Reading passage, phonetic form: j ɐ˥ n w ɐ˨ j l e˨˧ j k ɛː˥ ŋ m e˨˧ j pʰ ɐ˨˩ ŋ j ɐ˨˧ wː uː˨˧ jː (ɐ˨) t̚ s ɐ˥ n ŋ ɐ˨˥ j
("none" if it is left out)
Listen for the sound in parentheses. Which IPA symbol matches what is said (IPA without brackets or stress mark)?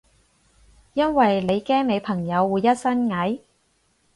ɐ˥